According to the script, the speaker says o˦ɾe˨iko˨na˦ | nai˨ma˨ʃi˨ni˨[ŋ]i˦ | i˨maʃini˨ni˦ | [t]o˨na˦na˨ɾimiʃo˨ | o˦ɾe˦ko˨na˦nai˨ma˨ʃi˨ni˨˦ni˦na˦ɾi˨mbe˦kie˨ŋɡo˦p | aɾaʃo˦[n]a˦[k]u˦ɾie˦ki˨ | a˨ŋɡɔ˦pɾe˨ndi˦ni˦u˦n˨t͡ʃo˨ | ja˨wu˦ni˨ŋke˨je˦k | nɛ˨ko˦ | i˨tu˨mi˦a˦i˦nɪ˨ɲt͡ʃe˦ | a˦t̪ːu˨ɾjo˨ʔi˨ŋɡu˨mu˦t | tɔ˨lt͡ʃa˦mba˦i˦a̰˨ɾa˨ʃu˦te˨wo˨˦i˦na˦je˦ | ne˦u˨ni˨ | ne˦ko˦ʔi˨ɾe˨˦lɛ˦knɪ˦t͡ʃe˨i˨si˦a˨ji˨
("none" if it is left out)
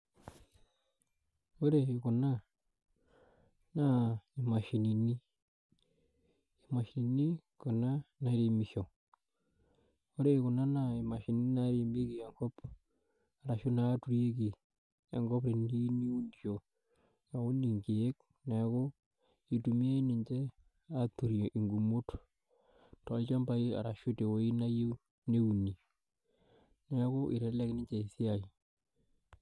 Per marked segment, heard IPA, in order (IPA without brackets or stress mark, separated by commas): n, k, n, t